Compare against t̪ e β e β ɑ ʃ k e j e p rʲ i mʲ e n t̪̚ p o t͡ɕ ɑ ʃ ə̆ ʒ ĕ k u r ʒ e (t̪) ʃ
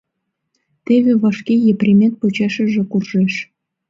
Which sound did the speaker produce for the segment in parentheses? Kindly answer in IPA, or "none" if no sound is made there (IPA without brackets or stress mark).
none